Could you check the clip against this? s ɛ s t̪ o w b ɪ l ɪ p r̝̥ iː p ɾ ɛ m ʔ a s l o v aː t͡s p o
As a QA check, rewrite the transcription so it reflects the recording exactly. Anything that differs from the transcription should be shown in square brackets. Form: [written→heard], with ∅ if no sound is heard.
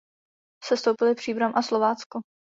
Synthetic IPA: s ɛ s t̪ o w [b→p] ɪ l ɪ p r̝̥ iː [p→b] ɾ [ɛ→a] m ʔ a s l o v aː t͡s [p→k] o